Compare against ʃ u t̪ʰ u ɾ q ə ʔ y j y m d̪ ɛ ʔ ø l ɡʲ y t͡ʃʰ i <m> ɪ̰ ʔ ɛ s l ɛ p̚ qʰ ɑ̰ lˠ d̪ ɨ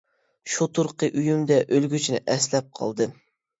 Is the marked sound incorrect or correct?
incorrect